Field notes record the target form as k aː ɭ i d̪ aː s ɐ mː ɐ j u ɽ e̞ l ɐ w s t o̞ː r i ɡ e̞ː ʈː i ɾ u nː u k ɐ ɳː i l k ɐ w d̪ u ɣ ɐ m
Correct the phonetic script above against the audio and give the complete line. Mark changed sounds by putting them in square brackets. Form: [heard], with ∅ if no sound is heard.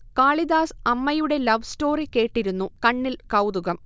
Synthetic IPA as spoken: k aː ɭ i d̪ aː s ɐ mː ɐ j u ɽ e̞ l ɐ [ʋ] s t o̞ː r i [k] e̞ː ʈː i ɾ u nː u k ɐ ɳː i l k ɐ w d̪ u ɣ ɐ m